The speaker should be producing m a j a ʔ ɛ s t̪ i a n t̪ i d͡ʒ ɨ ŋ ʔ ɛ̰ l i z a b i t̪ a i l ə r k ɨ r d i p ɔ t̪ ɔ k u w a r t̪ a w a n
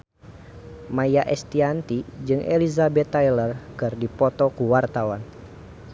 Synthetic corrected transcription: m a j a ʔ ɛ s t̪ i a n t̪ i d͡ʒ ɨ ŋ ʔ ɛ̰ l i z a b ɛ t̪ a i l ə r k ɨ r d i p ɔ t̪ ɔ k u w a r t̪ a w a n